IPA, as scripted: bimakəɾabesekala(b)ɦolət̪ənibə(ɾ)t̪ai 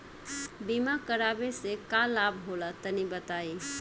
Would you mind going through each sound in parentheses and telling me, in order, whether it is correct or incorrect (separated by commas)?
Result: correct, incorrect